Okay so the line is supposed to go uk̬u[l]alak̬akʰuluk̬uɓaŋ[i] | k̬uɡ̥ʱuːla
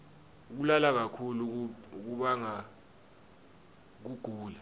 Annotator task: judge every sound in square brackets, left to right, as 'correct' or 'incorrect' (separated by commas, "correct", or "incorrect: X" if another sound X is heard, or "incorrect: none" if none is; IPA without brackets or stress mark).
correct, incorrect: a